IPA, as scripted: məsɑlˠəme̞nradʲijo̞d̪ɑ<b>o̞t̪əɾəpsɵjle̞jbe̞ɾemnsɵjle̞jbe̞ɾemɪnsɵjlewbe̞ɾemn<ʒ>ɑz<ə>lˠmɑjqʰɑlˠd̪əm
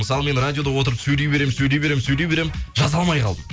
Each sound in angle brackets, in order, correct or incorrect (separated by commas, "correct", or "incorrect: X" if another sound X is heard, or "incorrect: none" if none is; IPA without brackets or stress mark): incorrect: w, correct, incorrect: ɑ